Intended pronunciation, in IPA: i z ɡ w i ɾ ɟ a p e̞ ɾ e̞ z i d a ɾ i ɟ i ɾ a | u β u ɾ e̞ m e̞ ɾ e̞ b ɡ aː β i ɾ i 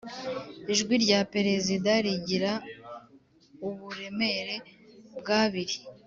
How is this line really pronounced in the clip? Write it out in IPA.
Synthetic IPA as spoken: i ʒ ɡ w i ɾ ɟ a p e̞ ɾ e̞ z i d a ɾ i ɟ i ɾ a | u β u ɾ e̞ m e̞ ɾ e̞ b ɡ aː β i ɾ i